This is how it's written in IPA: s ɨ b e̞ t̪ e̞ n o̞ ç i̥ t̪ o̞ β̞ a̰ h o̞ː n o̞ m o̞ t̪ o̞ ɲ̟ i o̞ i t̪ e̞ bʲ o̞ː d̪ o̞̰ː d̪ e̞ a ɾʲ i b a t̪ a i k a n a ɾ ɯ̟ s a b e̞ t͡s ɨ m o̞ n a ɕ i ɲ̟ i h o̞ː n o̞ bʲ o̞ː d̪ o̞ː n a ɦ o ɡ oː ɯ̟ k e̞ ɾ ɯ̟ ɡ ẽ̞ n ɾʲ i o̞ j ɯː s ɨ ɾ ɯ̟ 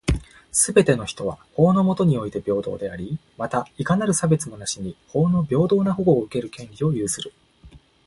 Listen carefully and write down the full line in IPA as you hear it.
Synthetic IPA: s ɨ b e̞ t̪ e̞ n o̞ ç i̥ t̪ o̞ β̞ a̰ h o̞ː n o̞ m o̞ t̪ o̞ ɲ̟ i o̞ i t̪ e̞ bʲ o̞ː d̪ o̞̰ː d̪ e̞ a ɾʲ i m a t̪ a i k a n a ɾ ɯ̟ s a b e̞ t͡s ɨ m o̞ n a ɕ i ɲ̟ i h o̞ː n o̞ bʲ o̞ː d̪ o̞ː n a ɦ o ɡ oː ɯ̟ k e̞ ɾ ɯ̟ k ẽ̞ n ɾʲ i o̞ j ɯː s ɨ ɾ ɯ̟